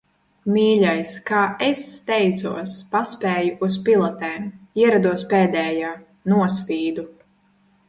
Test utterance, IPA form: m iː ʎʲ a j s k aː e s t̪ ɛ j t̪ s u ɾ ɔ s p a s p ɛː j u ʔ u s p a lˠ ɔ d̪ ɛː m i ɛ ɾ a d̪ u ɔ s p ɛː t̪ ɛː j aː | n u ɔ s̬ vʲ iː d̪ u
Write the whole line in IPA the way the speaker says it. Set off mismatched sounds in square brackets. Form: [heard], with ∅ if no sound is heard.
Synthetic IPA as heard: m iː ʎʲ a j s k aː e s t̪ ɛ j t̪ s u [∅] ɔ s p a s p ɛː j u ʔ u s p [i] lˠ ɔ [t̪] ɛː m i ɛ ɾ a d̪ u ɔ s p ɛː [d̪] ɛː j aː | n u ɔ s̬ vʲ iː d̪ u